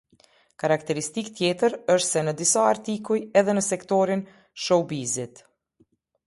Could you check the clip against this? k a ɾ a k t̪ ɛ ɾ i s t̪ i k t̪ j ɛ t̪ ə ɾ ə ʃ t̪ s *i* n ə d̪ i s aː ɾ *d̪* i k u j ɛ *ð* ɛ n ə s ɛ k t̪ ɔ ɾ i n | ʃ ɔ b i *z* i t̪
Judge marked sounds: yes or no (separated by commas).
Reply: no, no, yes, yes